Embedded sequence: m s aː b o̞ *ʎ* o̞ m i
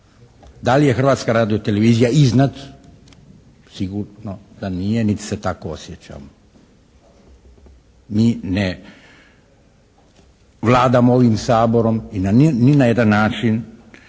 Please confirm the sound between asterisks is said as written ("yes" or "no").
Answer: no